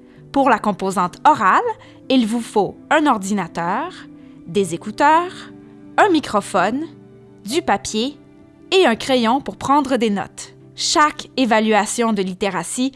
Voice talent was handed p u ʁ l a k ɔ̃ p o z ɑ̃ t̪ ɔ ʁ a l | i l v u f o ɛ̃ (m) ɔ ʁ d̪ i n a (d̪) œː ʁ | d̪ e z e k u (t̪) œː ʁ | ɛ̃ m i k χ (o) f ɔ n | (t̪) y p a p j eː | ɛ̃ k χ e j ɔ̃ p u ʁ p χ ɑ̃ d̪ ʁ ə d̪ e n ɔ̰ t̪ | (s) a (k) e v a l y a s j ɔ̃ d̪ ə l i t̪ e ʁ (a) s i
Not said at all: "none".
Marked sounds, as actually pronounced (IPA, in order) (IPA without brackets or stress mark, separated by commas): n, t̪, t̪, ɔ, d̪, ʃ, k, a